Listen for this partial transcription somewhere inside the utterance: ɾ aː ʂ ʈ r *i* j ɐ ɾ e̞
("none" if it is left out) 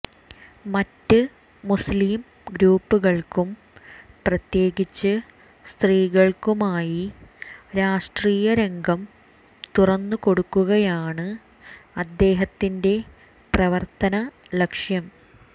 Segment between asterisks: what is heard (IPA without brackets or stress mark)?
iː